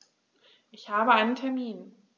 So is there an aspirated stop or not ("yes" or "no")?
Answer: yes